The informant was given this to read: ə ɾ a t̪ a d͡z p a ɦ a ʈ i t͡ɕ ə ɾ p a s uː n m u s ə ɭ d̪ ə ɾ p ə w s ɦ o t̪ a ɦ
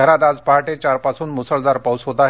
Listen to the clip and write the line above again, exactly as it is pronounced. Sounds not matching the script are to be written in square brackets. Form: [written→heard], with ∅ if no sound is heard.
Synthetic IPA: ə ɾ a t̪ a d͡z p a ɦ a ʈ [i→e] t͡ɕ [ə→a] ɾ p a s uː n m u s ə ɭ d̪ [ə→a] ɾ p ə w s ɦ o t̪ a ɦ